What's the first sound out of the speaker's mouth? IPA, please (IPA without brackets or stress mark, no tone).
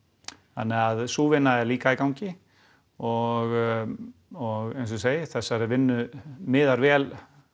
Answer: θ